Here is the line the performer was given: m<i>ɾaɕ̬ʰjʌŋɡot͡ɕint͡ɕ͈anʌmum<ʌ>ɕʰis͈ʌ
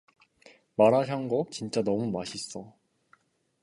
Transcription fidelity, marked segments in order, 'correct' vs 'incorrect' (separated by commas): incorrect, incorrect